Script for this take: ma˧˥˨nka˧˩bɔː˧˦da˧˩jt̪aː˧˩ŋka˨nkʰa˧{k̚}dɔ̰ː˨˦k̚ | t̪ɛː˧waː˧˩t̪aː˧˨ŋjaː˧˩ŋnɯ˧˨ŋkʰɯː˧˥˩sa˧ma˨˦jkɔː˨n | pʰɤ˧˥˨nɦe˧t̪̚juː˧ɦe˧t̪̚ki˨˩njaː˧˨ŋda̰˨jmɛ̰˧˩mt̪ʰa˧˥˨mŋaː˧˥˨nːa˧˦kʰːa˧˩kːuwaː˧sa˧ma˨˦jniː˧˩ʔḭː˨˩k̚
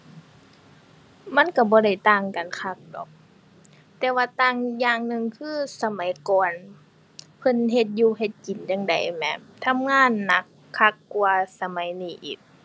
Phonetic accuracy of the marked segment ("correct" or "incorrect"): correct